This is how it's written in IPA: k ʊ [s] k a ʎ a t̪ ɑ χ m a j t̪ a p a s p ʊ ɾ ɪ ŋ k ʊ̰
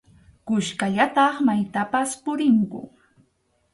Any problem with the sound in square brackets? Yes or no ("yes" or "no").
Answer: yes